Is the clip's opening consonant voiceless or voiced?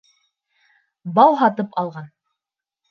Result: voiced